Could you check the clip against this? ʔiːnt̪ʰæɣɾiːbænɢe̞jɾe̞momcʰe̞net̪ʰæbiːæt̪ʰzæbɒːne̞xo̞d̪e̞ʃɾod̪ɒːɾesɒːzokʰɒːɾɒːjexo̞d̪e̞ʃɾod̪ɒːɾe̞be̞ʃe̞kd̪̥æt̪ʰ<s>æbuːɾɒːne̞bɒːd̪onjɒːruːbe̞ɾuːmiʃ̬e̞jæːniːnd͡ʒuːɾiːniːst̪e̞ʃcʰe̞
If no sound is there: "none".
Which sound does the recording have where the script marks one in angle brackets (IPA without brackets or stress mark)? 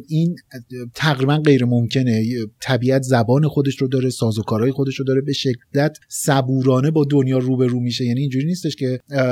s